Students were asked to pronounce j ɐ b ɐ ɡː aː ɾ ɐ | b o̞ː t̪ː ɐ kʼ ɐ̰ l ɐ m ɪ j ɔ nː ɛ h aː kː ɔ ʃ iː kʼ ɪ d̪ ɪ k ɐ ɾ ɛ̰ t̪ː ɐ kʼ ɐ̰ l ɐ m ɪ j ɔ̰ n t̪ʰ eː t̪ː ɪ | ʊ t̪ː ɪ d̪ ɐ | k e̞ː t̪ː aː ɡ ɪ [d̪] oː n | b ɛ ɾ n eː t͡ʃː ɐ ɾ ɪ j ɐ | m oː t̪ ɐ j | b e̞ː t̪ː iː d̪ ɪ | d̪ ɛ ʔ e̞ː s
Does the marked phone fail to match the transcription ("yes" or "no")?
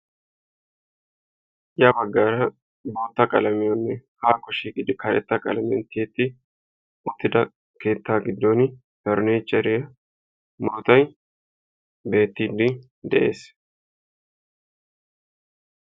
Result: yes